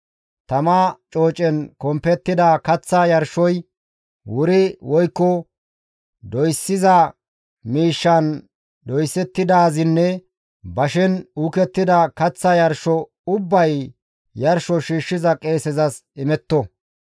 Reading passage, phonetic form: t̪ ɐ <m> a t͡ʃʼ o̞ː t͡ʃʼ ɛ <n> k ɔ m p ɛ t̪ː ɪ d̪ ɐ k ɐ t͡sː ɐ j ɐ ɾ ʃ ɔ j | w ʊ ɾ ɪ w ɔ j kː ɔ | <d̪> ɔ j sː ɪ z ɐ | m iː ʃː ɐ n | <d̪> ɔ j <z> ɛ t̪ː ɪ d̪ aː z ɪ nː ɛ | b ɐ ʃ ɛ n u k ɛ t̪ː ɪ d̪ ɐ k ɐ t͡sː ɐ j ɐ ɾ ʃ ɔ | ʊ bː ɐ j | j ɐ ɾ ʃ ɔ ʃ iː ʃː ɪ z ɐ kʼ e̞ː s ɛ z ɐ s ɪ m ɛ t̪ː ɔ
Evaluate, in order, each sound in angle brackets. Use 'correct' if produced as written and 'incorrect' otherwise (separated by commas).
correct, correct, correct, correct, incorrect